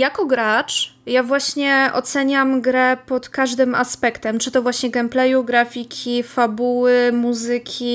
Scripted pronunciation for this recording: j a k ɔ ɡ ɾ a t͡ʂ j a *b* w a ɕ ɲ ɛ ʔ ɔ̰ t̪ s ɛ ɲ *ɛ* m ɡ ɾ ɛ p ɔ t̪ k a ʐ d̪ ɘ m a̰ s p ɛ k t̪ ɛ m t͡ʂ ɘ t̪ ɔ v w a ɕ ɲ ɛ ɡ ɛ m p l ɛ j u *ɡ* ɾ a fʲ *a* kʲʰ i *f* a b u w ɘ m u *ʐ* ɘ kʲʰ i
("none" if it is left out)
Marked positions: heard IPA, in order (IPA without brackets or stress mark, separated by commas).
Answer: v, a, ɡ, i, f, z